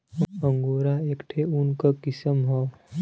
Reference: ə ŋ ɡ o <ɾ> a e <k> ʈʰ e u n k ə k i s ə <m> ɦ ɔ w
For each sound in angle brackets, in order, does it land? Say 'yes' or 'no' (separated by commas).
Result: yes, yes, yes